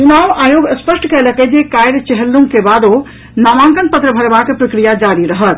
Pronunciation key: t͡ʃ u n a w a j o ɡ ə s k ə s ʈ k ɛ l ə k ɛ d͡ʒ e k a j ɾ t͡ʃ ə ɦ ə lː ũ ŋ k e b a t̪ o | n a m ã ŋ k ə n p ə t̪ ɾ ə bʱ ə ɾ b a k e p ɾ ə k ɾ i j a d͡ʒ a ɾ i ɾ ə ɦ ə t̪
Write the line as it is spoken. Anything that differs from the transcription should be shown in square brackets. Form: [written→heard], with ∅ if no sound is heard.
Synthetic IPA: t͡ʃ u n a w a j o ɡ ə s [k→p] ə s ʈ k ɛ l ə k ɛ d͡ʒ e k a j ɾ t͡ʃ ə ɦ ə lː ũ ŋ k e b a [t̪→d̪] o | n a m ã ŋ k ə n p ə t̪ ɾ ə bʱ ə ɾ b a k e p ɾ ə k ɾ i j a d͡ʒ a ɾ i ɾ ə ɦ ə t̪